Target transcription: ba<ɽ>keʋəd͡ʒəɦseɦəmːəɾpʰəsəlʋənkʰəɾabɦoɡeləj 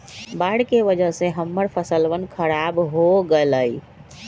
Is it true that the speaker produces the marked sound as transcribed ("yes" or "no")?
yes